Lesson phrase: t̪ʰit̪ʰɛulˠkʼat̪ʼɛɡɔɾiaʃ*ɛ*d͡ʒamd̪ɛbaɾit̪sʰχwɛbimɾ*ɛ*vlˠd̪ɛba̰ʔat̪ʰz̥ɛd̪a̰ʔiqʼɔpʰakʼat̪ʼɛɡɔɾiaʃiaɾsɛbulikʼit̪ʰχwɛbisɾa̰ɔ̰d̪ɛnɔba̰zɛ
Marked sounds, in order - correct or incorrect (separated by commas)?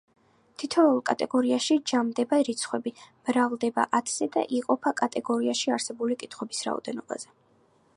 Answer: incorrect, incorrect